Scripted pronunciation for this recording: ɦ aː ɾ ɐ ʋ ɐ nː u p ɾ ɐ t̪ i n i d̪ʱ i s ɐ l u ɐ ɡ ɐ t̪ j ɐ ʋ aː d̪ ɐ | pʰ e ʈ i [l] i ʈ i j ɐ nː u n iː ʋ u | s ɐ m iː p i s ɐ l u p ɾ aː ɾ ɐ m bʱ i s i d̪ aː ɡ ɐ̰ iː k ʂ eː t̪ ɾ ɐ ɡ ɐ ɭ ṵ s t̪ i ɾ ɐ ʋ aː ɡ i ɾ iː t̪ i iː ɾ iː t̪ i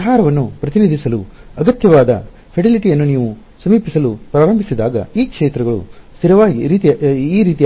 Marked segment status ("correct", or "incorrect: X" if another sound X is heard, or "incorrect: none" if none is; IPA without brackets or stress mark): correct